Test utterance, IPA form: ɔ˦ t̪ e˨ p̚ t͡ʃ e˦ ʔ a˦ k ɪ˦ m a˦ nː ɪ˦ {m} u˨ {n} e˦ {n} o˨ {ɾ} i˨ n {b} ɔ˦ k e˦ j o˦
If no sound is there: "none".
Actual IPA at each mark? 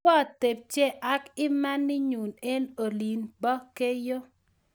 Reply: ɲ, n, n, l, b

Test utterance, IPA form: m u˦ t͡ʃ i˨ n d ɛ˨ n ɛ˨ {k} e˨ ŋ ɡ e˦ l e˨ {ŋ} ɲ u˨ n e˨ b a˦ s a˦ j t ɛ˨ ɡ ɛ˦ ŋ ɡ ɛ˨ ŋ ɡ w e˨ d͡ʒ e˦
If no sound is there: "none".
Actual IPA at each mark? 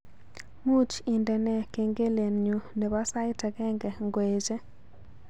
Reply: k, n

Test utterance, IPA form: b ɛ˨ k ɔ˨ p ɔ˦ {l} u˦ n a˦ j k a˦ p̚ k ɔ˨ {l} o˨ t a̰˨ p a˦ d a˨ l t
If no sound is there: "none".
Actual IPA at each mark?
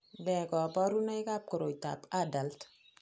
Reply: ɾ, ɾ

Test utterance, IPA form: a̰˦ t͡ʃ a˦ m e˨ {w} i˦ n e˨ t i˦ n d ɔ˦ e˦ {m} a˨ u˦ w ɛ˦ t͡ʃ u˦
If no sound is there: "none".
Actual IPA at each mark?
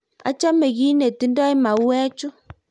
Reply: ɣ, m

